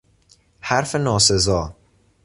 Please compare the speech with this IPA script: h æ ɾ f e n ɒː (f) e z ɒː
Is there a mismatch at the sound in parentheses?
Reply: yes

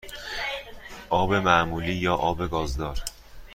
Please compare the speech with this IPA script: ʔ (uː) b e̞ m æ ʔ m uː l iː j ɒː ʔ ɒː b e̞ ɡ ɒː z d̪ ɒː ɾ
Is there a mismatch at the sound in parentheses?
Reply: yes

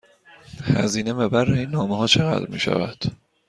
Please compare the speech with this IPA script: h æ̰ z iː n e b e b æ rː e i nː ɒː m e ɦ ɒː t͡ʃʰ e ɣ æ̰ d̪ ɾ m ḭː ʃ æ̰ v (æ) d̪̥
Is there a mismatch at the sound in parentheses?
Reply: no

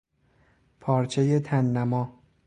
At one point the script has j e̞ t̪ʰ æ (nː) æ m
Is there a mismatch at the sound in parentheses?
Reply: no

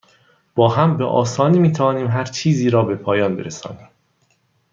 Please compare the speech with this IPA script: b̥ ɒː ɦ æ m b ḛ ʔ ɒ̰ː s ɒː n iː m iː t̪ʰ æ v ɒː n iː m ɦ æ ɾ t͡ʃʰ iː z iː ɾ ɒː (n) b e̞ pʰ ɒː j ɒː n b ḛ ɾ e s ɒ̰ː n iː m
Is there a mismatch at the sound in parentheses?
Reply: yes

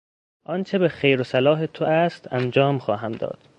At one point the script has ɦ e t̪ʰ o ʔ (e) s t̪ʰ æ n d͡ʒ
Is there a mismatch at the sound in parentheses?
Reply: yes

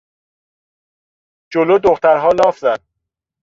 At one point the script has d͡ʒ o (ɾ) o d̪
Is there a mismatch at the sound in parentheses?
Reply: yes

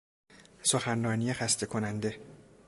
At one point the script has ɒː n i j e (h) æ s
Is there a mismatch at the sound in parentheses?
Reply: yes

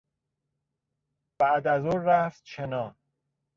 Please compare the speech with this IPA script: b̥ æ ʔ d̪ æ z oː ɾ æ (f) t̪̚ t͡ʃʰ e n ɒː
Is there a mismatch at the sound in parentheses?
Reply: no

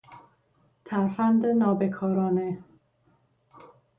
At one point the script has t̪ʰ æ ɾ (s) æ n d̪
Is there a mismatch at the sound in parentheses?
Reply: yes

